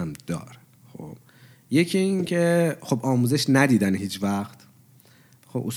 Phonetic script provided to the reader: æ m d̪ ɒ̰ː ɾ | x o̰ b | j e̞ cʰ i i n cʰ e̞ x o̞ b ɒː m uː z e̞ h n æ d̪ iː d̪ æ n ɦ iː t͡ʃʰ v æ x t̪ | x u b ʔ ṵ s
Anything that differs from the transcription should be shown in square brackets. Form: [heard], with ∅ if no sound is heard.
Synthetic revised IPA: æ m d̪ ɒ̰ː ɾ | x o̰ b | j e̞ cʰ i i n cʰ e̞ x o̞ b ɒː m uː z e̞ [ʃ] n æ d̪ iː d̪ æ n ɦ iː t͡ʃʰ v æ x t̪ | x [o] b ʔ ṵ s